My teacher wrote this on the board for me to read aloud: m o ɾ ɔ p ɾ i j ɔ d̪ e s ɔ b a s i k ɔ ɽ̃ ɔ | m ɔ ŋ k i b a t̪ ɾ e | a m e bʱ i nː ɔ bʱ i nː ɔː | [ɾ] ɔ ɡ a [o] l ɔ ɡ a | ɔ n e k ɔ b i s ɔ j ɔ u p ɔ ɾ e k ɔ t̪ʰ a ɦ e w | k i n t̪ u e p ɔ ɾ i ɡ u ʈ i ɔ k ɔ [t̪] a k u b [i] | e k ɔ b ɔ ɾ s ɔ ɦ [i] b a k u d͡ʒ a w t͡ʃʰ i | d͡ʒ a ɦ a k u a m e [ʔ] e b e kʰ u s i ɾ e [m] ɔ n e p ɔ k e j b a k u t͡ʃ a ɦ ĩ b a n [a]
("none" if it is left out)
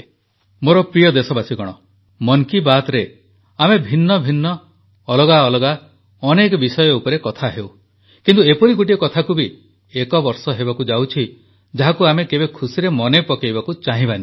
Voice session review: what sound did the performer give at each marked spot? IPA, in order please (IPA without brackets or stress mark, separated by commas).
l, ɔ, t̪ʰ, i, e, k, m, i